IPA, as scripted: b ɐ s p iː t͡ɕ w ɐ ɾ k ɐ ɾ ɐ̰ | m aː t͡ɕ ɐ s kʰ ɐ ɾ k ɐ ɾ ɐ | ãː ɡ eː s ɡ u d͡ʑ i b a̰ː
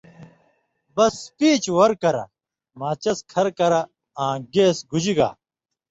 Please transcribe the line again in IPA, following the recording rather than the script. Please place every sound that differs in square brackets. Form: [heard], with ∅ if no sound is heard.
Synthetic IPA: b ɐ s p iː t͡ɕ w ɐ ɾ k ɐ ɾ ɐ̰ | m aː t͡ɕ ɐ s kʰ ɐ ɾ k ɐ ɾ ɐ | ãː ɡ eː s ɡ u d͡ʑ i [ɡ] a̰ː

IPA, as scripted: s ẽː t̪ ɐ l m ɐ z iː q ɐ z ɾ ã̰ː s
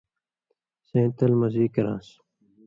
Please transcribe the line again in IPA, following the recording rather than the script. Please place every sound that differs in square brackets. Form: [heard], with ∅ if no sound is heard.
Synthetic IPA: s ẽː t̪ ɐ l m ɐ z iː [k] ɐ [∅] ɾ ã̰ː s

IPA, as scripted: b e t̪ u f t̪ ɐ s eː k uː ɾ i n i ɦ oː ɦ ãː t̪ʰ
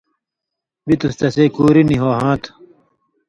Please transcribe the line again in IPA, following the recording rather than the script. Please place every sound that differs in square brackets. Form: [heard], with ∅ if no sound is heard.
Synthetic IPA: b [i] t̪ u [s] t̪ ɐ s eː k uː ɾ i n i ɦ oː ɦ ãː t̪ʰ

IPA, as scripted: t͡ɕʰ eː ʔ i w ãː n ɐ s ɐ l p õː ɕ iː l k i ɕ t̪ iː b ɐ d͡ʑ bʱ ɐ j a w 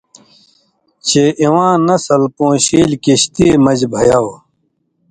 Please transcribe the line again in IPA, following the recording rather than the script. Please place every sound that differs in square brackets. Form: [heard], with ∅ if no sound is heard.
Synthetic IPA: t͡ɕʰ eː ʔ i w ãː n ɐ s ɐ l p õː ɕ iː l k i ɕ t̪ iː [m] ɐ d͡ʑ bʱ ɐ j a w

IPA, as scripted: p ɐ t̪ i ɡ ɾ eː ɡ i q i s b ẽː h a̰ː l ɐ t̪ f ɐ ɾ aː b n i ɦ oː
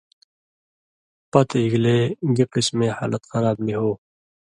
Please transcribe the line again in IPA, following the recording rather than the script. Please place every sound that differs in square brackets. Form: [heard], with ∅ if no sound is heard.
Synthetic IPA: p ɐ t̪ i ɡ [l] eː ɡ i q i s [m] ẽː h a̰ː l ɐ t̪ [x] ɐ ɾ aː b n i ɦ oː

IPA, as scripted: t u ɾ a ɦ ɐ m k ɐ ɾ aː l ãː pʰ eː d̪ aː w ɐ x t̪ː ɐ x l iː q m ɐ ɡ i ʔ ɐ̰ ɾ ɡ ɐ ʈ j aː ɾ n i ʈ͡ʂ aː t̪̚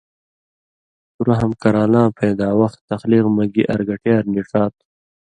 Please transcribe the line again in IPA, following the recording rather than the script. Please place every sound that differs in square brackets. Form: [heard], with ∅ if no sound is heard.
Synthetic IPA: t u ɾ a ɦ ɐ m k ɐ ɾ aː l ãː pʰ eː d̪ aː w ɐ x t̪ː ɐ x l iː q m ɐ ɡ i ʔ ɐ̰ ɾ ɡ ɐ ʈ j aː ɾ n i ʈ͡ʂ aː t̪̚

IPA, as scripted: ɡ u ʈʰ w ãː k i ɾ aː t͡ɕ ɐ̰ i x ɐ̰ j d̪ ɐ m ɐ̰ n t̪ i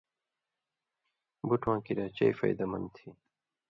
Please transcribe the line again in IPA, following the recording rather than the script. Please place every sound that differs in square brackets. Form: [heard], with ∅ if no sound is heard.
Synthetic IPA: [b] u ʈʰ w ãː k i ɾ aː t͡ɕ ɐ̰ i [f] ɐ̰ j d̪ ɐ m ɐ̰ n [t̪ʰ] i

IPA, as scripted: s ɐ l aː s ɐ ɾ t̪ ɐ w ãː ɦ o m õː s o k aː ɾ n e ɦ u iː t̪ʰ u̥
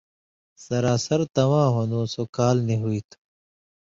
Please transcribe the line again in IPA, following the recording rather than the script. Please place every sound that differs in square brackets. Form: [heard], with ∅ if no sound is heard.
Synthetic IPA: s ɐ [ɾ] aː s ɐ ɾ t̪ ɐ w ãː ɦ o [n] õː s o k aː [l] n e ɦ u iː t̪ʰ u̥

